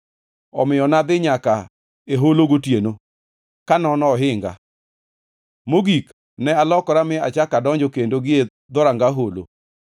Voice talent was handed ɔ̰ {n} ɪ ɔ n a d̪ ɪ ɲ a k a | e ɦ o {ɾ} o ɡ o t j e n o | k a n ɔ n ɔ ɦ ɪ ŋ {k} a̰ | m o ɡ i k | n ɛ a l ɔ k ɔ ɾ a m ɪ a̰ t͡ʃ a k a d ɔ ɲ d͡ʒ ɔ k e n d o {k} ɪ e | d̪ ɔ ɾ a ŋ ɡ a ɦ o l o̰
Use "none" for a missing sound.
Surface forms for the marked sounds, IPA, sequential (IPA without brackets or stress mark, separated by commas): m, l, ɡ, ɡ